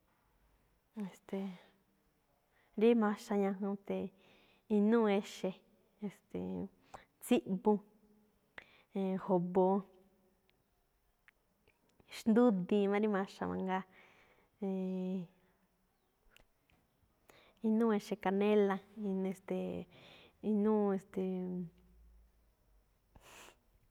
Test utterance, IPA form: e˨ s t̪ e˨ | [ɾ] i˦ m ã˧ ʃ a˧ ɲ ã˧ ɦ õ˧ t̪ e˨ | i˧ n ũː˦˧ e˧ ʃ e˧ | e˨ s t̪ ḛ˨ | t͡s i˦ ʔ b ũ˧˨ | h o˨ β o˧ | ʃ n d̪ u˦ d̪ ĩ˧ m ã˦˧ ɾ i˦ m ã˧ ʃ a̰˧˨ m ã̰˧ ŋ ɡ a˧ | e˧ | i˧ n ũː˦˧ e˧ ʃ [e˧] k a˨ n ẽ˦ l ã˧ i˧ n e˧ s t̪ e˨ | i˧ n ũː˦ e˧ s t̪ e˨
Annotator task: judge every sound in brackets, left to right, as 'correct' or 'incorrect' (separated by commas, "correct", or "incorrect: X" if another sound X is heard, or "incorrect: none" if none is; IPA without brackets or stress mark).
correct, correct